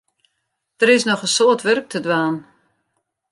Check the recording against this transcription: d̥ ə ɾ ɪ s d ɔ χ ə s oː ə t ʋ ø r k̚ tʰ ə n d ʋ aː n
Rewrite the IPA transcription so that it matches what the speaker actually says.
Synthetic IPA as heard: d̥ ə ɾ ɪ s n ɔ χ ə s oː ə t ʋ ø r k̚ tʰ ə d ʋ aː n

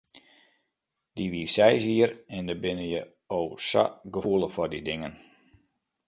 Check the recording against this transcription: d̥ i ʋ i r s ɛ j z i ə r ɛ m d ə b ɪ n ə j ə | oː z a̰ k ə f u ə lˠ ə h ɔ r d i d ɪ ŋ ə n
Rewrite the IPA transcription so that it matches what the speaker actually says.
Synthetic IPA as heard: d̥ i ʋ i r s ɛ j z i ə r ɛ n d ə b ɪ n ə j ə | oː s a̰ ɡ ə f u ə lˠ ə f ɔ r d i d ɪ ŋ ə n

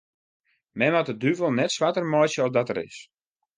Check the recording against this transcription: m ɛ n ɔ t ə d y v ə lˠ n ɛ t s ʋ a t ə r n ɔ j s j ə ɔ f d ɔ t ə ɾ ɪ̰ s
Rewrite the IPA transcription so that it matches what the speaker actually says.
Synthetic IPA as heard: m ɛ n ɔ t ə d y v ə lˠ n ɛ t s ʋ a t ə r m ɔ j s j ə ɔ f d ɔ t ə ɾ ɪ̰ s

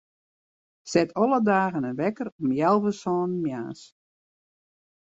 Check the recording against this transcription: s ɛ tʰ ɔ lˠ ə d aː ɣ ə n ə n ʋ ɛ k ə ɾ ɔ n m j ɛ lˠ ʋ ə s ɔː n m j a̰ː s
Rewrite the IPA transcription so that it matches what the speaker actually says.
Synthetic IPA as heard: s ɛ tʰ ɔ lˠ ə d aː ɣ ə n ə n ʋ ɛ k ə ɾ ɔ m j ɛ lˠ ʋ ə s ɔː n m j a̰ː s

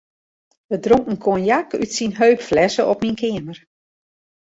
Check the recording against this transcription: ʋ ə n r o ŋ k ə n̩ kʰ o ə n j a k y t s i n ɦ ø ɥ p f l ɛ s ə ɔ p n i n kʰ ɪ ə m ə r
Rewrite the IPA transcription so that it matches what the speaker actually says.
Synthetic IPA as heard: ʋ ə d r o ŋ k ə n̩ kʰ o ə n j a k y t s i n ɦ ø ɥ p f l ɛ s ə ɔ p m i n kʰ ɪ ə m ə r

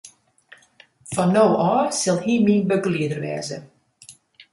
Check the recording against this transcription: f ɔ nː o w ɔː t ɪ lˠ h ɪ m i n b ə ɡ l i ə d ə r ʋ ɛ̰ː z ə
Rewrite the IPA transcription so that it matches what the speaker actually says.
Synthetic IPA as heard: f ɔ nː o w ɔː s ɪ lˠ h i m i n b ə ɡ l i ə d ə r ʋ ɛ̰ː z ə

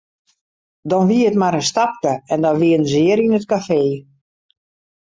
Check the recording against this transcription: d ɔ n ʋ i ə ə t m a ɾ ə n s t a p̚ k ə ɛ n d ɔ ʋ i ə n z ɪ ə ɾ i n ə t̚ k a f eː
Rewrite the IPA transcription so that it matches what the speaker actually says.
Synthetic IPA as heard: d ɔ n ʋ i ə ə t m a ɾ ə n s t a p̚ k ə ɛ n d ɔ ʋ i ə n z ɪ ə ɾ i n ə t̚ k a f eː

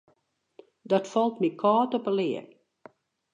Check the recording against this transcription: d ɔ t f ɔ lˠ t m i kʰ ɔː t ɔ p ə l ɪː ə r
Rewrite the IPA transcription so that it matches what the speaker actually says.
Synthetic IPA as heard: d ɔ t f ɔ lˠ t m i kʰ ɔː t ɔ p ə l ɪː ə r

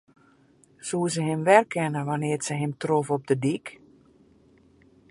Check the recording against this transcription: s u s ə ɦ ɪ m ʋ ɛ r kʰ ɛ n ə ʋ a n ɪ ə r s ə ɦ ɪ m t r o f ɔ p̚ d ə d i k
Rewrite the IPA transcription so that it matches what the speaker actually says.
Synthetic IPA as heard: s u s ə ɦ ɪ m ʋ ɛ r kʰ ɛ n ə ʋ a n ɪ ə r s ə ɦ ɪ m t r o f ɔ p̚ d ə d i k

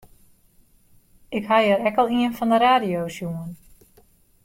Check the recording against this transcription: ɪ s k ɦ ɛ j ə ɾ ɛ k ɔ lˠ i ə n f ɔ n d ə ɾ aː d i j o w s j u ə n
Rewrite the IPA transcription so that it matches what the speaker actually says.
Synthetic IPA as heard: ɪ k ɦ a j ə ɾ ɛ k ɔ lˠ i ə n f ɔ n d ə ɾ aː d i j o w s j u ə n

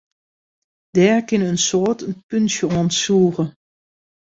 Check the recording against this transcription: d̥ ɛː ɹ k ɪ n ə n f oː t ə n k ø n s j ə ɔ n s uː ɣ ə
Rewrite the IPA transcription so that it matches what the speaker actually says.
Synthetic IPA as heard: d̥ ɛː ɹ k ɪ n ə n s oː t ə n p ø n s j ə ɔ n s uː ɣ ə

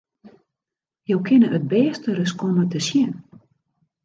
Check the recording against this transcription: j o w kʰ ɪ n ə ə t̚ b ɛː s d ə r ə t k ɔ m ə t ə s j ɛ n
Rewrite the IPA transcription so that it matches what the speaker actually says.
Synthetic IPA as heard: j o w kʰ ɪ n ə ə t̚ b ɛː s t ə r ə s k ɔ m ə t ə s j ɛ n

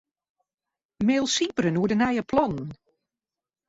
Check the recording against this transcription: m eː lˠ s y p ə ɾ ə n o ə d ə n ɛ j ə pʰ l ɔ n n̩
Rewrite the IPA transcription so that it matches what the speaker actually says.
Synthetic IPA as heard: m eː lˠ s i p ə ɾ ə n u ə d ə n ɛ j ə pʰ l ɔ n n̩

